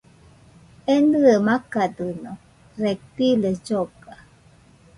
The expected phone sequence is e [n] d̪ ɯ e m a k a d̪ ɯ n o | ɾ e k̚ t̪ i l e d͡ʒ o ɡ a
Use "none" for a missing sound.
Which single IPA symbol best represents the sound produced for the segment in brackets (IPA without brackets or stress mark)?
n